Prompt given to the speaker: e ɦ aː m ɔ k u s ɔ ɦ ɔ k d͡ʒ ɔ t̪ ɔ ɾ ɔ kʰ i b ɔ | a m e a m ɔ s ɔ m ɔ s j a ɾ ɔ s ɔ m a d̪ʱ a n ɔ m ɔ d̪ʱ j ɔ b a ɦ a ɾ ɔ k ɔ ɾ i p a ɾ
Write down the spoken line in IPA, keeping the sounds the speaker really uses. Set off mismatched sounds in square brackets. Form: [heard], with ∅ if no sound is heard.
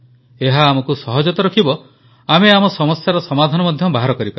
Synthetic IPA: e ɦ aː m ɔ k u s ɔ ɦ ɔ [∅] d͡ʒ ɔ t̪ ɔ ɾ ɔ kʰ i b ɔ | a m e a m ɔ s ɔ m ɔ s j a ɾ ɔ s ɔ m a d̪ʱ a n ɔ m ɔ d̪ʱ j ɔ b a ɦ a ɾ ɔ k ɔ ɾ i p a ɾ